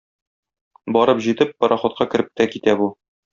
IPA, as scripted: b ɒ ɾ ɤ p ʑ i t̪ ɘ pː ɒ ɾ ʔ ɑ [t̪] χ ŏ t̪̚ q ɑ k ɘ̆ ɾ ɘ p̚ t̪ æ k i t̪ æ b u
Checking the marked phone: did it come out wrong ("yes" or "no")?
yes